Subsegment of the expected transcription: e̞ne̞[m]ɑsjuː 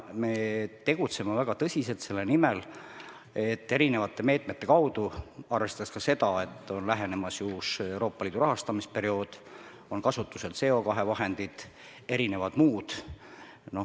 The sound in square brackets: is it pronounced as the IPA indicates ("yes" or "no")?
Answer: yes